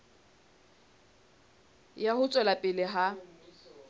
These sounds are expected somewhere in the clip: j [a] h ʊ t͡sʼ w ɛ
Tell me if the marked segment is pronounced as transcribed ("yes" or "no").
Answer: yes